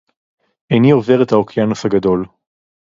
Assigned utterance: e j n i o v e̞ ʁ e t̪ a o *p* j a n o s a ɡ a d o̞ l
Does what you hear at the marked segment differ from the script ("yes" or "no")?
yes